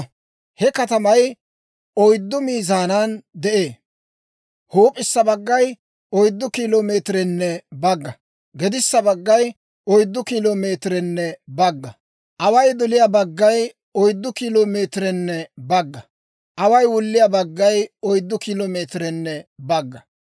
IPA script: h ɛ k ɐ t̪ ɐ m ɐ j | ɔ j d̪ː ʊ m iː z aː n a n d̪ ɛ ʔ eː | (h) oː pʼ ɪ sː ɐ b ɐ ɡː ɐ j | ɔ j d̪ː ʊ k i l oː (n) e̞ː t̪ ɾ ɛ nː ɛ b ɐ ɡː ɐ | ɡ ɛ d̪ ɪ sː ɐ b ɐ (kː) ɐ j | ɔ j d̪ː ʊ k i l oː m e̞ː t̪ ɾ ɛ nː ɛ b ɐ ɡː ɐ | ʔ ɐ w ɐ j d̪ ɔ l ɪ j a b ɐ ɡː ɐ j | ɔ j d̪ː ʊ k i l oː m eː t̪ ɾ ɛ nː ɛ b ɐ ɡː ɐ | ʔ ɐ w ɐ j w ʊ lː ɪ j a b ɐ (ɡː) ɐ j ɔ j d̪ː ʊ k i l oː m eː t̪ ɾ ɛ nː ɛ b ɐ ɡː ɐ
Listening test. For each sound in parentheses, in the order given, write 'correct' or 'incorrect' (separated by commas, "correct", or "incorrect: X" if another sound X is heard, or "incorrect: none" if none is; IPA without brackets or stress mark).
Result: correct, incorrect: m, incorrect: ɡː, correct